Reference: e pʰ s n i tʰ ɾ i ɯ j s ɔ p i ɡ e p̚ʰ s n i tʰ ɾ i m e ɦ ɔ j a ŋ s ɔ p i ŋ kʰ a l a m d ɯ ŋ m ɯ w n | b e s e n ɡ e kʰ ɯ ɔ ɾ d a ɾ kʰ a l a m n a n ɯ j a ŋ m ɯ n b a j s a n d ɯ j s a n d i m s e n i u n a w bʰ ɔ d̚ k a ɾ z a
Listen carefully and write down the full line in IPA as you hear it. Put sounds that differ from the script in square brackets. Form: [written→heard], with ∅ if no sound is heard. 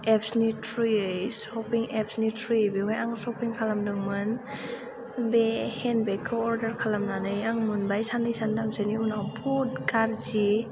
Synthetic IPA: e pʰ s n i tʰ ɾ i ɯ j s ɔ p i [ɡ→ŋ] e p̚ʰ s n i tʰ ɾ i [m→b] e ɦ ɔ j a ŋ s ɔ p i ŋ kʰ a l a m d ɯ ŋ m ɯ [w→∅] n | b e [s→h] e n [ɡ→b] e kʰ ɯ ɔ ɾ d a ɾ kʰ a l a m n a n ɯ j a ŋ m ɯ n b a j s a n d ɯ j s a n d [i→a] m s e n i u n a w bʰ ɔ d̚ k a ɾ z [a→i]